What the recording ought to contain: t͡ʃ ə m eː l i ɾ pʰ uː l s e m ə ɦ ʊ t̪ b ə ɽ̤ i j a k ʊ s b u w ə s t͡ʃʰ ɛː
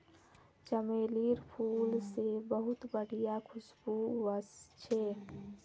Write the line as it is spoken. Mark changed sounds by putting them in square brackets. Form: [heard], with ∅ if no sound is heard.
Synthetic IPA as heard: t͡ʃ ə m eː l i ɾ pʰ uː l s e [b] ə ɦ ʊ t̪ b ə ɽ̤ i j a [kʰ] ʊ s b u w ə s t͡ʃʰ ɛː